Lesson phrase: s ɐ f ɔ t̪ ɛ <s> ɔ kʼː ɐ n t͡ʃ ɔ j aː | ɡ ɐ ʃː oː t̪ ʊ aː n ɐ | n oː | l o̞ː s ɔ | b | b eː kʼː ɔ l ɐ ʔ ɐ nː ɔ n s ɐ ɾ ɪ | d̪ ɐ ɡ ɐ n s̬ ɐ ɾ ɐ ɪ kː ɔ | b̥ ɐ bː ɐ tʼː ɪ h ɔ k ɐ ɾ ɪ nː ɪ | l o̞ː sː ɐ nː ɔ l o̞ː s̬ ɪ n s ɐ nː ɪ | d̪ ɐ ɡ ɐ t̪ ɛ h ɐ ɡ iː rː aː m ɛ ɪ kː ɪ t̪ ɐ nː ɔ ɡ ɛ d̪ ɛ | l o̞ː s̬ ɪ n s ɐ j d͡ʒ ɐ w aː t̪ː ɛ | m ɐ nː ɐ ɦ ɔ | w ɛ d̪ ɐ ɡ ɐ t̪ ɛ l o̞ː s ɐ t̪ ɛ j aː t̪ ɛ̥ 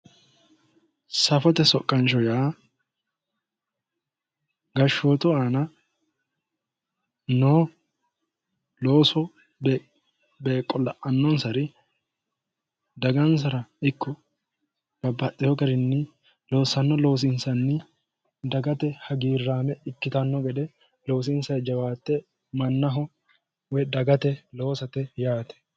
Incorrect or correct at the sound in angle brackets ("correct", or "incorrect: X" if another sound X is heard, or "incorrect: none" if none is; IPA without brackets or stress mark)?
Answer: correct